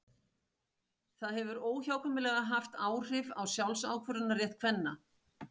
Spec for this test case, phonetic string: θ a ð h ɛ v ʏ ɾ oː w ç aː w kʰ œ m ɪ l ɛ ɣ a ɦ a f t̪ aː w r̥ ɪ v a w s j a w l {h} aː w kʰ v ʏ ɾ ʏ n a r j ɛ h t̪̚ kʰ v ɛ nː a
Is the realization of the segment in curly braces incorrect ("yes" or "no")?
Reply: yes